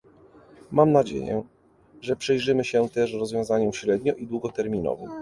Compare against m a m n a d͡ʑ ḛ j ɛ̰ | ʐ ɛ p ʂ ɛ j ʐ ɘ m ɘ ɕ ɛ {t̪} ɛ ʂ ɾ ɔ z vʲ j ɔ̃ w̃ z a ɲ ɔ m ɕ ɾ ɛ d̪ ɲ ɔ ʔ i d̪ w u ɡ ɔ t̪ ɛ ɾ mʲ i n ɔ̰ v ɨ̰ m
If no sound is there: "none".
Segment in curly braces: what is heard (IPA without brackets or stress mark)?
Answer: t̪